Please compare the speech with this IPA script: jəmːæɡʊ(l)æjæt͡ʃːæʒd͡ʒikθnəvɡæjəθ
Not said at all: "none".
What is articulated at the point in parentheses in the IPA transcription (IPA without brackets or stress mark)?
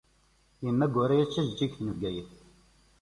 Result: ɾ